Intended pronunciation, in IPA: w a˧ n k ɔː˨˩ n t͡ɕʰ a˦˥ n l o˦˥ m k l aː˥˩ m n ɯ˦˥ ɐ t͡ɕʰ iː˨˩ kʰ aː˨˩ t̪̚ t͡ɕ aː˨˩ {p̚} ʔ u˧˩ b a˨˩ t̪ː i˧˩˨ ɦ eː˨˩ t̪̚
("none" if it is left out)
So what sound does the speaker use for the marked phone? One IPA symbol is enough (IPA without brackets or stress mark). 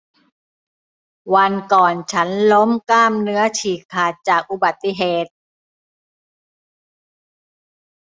k̚